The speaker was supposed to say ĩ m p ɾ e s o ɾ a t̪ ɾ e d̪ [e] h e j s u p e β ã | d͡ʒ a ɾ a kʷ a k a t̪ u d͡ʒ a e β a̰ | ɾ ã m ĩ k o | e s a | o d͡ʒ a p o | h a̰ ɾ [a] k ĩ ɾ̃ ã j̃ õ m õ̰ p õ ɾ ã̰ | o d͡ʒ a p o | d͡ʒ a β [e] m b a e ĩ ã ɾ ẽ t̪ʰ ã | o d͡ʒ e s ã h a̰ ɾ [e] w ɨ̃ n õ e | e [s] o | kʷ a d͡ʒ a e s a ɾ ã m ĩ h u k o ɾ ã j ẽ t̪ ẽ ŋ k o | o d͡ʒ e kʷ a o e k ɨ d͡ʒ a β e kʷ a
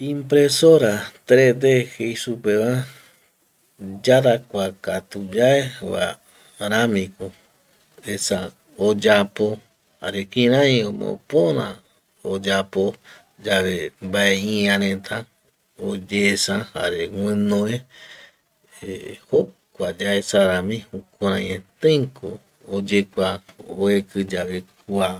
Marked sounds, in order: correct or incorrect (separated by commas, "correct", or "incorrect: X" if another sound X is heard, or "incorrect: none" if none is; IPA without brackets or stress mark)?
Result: correct, incorrect: e, correct, correct, incorrect: h